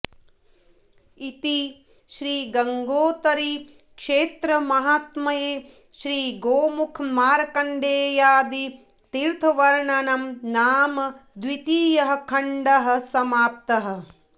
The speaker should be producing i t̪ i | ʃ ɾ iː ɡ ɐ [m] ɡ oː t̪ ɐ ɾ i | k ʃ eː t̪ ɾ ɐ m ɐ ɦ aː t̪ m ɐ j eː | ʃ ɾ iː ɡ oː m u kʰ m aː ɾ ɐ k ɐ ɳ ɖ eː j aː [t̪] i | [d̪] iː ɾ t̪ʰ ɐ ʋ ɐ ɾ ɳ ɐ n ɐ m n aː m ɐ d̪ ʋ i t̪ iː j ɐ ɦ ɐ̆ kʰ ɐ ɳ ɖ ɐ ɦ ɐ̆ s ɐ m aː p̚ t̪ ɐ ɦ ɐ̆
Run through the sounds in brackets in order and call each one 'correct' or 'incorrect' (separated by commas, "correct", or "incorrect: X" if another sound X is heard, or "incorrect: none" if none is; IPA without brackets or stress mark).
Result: incorrect: ŋ, incorrect: d̪, incorrect: t̪